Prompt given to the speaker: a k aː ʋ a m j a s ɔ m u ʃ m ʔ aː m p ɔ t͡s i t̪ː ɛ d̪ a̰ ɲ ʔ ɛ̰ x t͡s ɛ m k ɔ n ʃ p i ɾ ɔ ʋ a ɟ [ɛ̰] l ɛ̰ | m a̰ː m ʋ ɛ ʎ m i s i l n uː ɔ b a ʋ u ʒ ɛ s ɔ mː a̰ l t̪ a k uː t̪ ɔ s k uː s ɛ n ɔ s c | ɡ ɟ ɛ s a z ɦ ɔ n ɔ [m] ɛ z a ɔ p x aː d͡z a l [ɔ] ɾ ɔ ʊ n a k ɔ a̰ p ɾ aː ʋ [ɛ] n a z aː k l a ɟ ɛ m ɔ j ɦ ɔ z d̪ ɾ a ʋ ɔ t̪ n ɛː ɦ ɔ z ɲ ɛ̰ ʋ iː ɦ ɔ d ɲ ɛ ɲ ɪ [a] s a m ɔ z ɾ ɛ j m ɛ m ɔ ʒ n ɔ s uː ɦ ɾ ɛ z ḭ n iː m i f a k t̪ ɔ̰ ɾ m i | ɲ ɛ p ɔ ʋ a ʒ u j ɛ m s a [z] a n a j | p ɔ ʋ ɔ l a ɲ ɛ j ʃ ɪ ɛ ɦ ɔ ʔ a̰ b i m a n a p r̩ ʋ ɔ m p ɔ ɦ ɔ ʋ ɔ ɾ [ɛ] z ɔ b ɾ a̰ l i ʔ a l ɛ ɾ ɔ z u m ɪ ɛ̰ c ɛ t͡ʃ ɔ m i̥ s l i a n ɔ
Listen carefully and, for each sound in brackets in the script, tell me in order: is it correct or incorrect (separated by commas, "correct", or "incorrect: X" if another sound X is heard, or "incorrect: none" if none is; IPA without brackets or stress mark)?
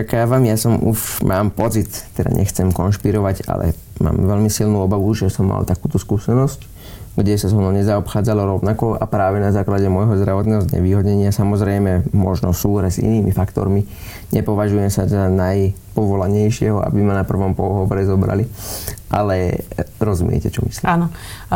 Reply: incorrect: a̰, incorrect: ɲ, correct, correct, correct, correct, correct